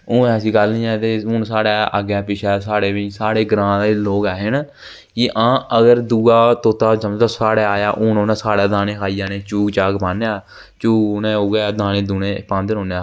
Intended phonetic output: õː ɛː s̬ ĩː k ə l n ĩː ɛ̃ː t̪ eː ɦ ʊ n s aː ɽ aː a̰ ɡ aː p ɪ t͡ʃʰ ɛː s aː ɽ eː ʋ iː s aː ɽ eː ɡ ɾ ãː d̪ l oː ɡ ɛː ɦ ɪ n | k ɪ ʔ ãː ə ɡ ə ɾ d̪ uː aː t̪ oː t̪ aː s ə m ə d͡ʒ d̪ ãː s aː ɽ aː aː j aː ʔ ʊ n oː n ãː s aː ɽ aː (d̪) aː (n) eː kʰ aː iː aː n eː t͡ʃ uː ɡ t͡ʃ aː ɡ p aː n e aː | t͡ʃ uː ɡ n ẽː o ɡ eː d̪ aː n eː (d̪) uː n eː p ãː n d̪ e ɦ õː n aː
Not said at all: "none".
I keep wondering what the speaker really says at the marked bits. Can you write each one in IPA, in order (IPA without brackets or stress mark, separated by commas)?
d̪, n, d̪